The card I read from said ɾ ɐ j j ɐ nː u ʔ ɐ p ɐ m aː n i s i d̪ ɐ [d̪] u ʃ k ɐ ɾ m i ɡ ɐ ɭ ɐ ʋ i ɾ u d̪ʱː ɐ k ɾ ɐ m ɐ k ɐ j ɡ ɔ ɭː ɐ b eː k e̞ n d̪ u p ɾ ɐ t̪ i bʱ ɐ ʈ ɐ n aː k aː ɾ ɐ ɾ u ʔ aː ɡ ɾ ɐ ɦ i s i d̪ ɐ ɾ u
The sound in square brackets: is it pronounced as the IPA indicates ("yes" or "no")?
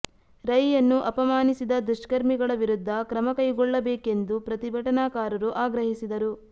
yes